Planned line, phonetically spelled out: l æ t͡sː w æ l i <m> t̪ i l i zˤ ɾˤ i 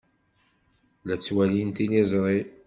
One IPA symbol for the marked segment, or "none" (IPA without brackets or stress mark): n